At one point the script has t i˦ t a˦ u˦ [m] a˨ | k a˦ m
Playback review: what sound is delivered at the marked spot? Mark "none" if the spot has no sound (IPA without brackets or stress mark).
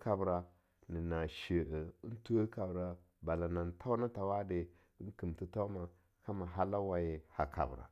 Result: m